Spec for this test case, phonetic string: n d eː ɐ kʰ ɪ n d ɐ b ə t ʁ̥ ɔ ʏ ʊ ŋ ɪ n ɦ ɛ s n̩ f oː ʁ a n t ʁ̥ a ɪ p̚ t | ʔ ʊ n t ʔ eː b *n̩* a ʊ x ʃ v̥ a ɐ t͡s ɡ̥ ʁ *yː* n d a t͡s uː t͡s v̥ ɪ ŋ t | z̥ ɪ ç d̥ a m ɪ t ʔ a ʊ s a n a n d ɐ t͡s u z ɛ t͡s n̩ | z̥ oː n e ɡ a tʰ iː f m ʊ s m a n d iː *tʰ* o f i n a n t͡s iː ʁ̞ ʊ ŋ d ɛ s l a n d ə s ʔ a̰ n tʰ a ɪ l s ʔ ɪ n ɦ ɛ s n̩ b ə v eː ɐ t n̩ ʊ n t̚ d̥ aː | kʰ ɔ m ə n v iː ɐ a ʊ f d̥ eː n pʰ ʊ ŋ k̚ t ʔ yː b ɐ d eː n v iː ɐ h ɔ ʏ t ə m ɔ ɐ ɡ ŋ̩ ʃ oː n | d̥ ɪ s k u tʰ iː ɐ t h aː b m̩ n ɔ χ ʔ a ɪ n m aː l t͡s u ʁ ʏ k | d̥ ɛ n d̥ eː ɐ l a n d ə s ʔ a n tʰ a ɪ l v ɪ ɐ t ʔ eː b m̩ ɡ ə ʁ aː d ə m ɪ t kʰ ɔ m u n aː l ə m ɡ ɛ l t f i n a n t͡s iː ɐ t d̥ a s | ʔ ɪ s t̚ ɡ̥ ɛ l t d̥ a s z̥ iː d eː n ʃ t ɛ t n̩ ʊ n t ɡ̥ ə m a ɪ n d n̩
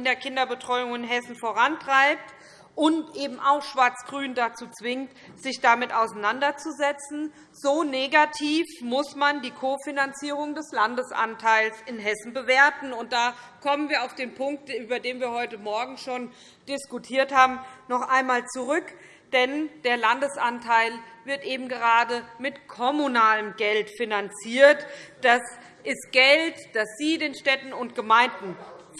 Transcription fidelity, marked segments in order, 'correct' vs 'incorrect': incorrect, correct, incorrect

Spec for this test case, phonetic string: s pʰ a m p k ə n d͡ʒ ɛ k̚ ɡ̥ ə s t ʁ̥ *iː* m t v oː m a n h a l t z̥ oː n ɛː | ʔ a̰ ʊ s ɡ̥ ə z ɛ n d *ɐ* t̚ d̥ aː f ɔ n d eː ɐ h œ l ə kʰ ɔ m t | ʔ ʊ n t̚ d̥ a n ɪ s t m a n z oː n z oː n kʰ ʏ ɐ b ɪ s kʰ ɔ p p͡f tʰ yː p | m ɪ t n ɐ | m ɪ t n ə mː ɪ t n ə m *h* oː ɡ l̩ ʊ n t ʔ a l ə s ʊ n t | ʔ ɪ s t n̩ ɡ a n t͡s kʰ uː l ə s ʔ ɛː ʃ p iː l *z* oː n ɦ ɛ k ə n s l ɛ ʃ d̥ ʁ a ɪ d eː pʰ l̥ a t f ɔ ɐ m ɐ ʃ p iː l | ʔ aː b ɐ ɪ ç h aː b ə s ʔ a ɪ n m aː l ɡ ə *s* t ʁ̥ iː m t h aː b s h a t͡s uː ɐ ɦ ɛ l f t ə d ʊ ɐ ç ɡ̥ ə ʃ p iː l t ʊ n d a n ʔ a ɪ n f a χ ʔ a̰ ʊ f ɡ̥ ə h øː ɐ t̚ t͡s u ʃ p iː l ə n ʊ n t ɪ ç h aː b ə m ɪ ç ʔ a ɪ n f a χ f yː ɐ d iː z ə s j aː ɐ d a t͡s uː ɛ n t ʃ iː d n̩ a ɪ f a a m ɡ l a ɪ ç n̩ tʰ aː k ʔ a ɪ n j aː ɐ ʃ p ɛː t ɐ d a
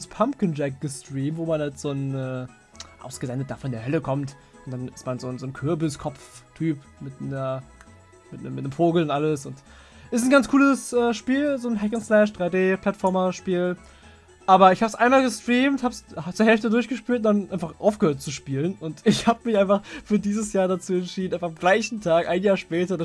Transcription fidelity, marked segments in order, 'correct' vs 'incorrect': correct, incorrect, incorrect, correct, correct

